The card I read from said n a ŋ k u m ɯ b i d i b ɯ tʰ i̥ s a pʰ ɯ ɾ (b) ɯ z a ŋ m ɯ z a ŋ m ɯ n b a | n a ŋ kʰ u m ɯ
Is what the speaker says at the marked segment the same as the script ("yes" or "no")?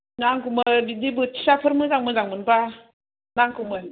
no